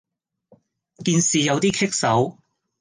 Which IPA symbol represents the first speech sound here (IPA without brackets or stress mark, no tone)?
k